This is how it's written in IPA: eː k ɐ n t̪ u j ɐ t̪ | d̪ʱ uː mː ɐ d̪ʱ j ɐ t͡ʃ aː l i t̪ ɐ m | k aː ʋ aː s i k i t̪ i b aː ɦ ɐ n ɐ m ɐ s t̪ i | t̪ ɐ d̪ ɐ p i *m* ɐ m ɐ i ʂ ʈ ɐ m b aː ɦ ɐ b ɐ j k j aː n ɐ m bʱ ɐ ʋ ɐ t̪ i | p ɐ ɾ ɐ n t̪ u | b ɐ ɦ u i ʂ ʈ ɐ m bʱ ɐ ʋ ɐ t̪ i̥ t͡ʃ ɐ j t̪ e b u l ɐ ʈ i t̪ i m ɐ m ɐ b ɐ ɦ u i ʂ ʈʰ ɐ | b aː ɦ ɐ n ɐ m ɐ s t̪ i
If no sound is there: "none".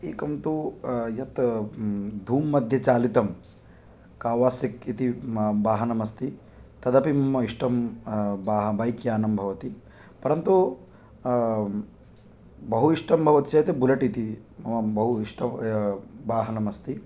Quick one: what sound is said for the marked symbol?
m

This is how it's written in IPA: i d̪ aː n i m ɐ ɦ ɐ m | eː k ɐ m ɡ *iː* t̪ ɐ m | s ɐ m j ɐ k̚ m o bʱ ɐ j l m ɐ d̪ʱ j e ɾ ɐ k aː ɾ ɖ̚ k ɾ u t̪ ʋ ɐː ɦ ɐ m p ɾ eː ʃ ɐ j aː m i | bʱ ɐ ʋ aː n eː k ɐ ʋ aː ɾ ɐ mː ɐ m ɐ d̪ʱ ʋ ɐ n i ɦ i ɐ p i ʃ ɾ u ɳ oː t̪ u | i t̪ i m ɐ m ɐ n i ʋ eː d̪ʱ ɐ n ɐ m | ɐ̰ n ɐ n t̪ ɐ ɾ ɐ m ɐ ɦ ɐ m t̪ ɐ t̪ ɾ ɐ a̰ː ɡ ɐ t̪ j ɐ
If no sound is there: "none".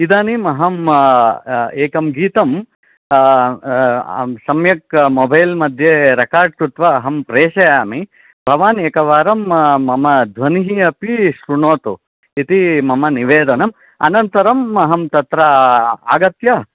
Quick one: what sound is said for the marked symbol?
iː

